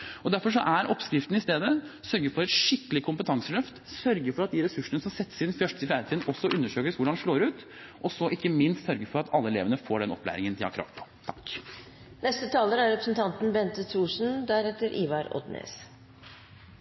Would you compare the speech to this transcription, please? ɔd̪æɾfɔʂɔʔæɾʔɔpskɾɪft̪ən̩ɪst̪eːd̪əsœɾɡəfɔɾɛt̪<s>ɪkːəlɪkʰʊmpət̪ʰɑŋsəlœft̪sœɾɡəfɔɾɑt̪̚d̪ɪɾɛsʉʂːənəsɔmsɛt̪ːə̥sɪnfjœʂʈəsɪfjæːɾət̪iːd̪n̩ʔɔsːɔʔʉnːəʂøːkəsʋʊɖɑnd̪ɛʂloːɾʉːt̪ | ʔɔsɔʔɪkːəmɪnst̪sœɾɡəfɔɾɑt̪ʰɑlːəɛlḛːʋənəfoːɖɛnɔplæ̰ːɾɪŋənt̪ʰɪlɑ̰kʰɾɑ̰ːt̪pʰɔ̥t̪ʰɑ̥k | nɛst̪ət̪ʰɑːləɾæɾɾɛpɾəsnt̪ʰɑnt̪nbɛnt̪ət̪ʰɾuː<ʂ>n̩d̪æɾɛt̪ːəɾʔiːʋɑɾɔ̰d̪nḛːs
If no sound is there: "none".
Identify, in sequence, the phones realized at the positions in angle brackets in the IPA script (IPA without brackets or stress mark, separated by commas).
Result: ʂ, ʂ